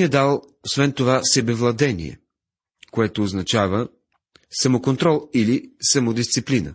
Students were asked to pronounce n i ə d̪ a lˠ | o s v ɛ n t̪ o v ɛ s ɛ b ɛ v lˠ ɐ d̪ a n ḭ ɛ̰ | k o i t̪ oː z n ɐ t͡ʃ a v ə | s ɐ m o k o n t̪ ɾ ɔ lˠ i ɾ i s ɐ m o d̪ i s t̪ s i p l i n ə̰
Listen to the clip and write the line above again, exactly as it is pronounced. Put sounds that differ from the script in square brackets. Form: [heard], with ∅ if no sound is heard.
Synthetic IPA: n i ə d̪ a lˠ | o s v ɛ n t̪ o v [a] s ɛ b ɛ v lˠ ɐ d̪ [ɛ] n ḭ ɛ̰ | k o [ɛ] t̪ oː z n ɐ t͡ʃ a v ə | s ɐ m o k o n t̪ ɾ ɔ lˠ i [l] i s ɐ m o d̪ i s t̪ s i p l i n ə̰